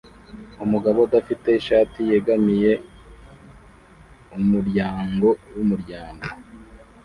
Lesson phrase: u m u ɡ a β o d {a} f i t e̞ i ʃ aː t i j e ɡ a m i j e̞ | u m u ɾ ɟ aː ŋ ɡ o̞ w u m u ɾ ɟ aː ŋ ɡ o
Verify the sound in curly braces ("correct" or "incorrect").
correct